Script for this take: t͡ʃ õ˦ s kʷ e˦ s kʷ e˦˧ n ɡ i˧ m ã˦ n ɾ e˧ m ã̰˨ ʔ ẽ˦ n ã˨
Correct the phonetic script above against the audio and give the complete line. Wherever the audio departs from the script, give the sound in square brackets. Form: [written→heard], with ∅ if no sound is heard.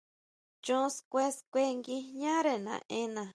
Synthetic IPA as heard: t͡ʃ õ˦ s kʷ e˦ s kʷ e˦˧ [n→ŋ] ɡ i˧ [m→ɲ] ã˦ [n→∅] ɾ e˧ [m→n] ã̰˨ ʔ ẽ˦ n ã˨